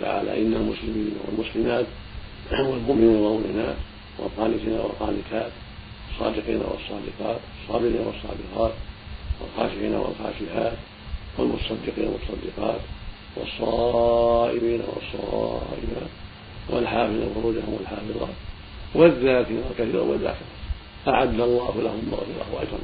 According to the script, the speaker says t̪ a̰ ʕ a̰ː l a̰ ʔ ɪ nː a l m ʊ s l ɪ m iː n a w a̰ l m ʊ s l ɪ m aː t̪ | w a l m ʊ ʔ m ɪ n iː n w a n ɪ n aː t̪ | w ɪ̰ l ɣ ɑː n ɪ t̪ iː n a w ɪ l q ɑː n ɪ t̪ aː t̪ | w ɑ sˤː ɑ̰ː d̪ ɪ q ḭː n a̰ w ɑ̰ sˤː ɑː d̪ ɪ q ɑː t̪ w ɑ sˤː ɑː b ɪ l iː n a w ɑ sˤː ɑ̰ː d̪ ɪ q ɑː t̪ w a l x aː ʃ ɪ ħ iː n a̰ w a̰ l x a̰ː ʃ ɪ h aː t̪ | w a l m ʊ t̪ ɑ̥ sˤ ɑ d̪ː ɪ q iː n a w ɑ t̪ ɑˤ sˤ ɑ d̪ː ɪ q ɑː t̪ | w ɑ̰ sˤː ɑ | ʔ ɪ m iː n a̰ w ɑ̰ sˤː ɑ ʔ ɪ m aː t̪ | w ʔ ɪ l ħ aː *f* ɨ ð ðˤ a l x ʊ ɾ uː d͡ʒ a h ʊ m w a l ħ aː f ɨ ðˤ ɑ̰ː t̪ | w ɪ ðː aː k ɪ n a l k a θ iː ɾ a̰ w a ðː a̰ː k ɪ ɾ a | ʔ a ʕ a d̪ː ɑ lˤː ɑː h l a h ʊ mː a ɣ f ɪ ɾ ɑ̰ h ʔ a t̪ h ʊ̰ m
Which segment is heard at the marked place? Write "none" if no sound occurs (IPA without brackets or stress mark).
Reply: f